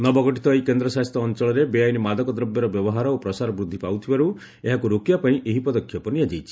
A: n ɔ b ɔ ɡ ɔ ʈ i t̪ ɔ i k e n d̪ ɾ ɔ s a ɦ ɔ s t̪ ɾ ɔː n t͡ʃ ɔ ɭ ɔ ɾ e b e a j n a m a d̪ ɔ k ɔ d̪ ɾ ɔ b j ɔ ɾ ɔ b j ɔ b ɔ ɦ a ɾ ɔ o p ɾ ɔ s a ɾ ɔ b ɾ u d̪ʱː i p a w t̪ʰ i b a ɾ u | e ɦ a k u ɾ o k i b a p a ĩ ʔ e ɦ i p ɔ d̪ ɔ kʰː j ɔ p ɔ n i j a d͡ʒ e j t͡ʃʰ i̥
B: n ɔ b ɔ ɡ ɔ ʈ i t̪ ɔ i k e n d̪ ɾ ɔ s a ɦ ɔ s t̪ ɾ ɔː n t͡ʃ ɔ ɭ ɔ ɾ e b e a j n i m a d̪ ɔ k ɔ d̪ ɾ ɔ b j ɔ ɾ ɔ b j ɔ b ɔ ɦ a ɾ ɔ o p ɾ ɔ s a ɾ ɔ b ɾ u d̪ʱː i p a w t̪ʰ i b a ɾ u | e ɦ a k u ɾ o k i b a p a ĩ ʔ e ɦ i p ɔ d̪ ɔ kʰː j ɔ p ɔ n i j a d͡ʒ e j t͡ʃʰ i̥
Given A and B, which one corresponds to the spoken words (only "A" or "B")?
B